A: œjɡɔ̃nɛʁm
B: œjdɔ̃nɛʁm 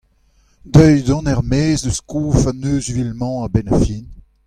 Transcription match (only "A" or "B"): B